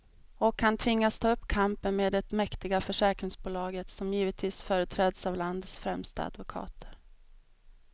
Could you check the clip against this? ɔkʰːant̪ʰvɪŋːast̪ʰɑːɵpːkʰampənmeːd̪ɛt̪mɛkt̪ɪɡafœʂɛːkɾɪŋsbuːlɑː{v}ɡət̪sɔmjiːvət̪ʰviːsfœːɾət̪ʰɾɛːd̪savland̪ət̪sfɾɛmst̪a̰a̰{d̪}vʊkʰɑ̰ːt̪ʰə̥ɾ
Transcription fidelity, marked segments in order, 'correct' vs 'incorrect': incorrect, correct

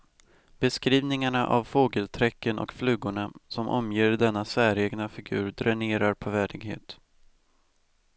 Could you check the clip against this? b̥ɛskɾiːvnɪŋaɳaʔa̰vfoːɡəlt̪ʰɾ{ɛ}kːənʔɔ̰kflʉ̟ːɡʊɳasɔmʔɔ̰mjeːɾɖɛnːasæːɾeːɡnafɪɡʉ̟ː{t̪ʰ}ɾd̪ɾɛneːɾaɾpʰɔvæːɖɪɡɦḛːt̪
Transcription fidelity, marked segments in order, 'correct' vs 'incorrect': correct, incorrect

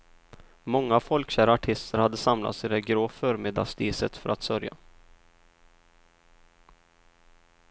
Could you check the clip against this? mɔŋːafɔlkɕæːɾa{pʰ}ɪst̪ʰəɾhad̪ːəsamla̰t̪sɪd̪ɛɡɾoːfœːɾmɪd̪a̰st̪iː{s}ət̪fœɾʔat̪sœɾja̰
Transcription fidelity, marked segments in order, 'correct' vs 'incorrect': incorrect, correct

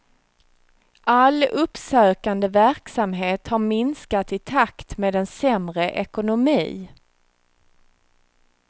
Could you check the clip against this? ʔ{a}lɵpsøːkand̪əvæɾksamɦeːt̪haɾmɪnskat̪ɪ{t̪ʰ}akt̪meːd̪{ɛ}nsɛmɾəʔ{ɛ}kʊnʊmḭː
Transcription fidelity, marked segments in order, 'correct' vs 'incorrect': correct, correct, correct, correct

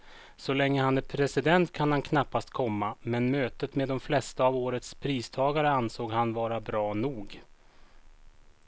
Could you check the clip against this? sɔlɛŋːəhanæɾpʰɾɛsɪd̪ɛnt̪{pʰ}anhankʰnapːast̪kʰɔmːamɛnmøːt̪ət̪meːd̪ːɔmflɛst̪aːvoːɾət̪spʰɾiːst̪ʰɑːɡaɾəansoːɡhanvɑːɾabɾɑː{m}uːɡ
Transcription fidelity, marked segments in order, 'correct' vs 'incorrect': incorrect, incorrect

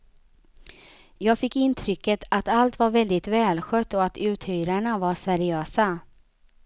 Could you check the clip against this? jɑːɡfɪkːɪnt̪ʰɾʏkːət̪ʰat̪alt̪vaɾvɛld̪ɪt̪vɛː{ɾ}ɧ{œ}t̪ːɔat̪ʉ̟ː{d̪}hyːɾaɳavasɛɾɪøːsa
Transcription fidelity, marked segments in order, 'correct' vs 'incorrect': incorrect, correct, incorrect

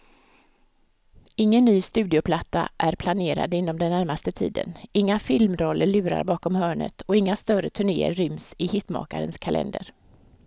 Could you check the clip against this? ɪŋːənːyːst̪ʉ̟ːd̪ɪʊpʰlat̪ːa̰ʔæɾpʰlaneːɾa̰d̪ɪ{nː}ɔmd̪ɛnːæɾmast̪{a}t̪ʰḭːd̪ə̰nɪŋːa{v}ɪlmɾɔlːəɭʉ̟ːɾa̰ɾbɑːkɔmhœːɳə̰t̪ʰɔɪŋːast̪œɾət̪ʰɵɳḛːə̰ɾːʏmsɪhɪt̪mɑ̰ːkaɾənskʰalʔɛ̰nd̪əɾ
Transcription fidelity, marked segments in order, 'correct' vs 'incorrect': correct, incorrect, incorrect

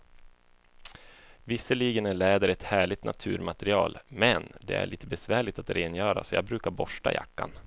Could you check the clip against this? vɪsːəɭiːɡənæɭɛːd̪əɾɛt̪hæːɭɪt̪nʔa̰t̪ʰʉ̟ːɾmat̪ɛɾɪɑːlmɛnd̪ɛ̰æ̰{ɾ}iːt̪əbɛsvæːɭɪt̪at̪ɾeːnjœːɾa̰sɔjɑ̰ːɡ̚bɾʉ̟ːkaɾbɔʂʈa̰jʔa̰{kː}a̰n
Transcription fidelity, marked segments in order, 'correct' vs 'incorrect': incorrect, correct

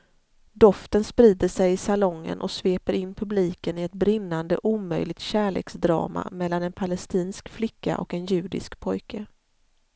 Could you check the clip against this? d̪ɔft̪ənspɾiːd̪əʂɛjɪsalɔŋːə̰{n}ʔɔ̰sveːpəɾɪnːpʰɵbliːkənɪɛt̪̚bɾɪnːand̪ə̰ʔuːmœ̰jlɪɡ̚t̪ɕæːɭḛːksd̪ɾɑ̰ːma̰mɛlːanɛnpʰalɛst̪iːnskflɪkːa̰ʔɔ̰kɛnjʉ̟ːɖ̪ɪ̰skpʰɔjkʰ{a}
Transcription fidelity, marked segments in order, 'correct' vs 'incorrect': correct, incorrect

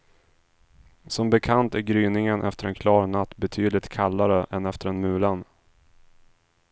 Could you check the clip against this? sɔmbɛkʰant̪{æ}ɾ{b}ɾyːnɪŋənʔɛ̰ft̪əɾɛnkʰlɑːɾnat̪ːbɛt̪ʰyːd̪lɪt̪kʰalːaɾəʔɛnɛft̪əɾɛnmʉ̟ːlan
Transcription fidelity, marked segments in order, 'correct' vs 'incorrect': correct, incorrect

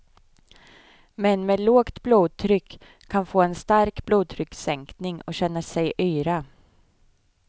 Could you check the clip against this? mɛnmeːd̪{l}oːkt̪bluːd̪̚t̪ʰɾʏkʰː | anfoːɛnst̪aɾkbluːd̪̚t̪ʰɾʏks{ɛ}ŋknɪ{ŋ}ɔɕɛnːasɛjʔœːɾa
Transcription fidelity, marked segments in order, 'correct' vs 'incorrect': correct, correct, correct

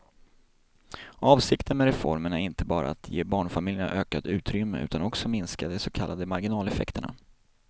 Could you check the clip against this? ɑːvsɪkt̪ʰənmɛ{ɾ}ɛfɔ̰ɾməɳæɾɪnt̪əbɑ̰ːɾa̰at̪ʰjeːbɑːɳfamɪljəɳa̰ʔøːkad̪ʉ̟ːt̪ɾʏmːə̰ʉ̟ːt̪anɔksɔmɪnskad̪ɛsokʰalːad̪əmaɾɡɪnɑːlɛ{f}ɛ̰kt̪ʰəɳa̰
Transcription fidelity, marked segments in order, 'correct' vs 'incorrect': correct, correct

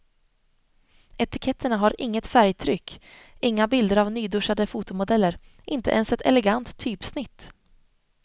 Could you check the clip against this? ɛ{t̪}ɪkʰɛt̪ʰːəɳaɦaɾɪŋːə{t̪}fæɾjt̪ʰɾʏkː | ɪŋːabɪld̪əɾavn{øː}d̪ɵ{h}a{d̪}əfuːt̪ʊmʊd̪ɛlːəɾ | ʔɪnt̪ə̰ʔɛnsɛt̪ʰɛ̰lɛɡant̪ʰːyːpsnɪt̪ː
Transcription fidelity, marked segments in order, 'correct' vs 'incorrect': correct, correct, incorrect, incorrect, correct

